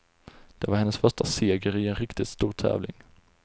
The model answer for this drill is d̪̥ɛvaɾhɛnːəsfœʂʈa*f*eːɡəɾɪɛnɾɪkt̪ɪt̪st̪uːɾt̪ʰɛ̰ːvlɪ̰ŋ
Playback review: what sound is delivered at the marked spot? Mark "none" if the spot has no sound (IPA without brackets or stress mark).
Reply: s